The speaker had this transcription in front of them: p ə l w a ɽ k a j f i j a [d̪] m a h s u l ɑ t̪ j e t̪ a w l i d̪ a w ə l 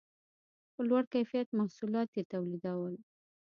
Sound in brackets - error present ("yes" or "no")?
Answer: yes